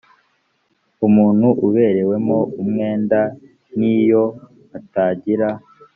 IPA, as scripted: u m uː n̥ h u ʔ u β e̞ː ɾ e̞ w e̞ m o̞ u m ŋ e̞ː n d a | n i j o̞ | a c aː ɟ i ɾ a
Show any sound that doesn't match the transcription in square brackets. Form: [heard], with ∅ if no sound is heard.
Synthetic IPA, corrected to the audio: u m uː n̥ h u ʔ u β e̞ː ɾ e̞ w e̞ m o̞ u m ŋ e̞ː n d a | n i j o̞ | a [t] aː ɟ i ɾ a